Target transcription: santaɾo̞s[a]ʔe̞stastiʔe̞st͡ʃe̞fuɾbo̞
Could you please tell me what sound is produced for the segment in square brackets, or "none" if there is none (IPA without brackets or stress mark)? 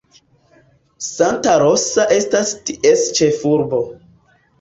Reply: a